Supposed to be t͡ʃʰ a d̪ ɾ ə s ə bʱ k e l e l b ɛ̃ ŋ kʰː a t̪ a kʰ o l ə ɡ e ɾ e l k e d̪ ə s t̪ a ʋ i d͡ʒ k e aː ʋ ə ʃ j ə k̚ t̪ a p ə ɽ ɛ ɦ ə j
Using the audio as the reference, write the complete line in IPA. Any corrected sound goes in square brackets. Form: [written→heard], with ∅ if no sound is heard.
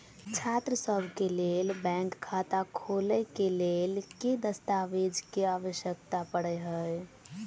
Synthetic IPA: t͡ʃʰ a [d̪→t̪] ɾ ə s ə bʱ k e l e l b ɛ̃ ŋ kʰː a t̪ a kʰ o l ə [ɡ→k] e [ɾ→l] e l k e d̪ ə s t̪ a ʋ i d͡ʒ k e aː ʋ ə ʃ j ə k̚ t̪ a p ə ɽ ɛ ɦ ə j